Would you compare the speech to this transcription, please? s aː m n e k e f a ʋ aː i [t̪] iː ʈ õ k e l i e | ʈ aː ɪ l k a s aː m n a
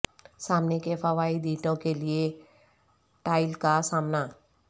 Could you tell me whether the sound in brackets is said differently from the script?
yes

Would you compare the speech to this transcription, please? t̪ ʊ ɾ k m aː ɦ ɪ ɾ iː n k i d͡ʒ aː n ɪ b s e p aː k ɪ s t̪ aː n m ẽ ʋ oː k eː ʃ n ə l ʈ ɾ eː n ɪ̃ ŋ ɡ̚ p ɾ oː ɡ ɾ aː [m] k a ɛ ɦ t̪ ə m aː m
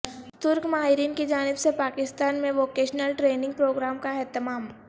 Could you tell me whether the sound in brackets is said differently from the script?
no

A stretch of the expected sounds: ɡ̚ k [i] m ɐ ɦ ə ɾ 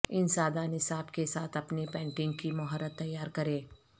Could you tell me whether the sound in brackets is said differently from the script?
no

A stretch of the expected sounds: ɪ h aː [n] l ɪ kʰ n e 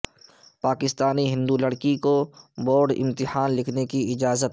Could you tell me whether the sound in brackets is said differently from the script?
no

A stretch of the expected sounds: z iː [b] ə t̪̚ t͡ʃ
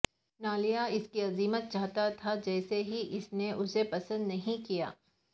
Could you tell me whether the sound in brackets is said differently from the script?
yes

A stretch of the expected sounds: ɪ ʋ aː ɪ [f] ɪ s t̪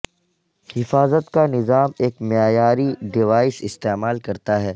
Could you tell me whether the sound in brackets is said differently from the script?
yes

